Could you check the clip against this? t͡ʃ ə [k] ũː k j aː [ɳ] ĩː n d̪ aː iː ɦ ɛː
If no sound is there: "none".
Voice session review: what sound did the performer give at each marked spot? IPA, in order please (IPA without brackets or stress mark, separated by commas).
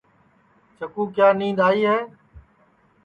k, n